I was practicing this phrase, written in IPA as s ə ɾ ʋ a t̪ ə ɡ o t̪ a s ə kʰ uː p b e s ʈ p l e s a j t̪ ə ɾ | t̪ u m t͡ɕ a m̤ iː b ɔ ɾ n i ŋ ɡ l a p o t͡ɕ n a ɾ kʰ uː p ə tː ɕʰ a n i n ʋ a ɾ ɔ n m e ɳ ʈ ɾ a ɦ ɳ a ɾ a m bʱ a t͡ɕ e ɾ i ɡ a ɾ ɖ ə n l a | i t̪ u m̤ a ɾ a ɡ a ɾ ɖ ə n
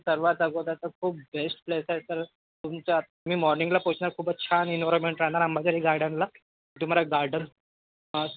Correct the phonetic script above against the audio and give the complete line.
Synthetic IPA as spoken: s ə ɾ ʋ a t̪ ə ɡ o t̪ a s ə kʰ uː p b e s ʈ p l e s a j t̪ ə ɾ | t̪ u m t͡ɕ a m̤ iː m ɔ ɾ n i ŋ ɡ l a p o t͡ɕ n a ɾ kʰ uː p ə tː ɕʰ a n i n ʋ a ɾ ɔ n m e ɳ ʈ ɾ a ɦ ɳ a ɾ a m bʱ a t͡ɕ a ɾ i ɡ a ɾ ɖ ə n l a | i t̪ u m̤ a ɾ a ɡ a ɾ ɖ ə n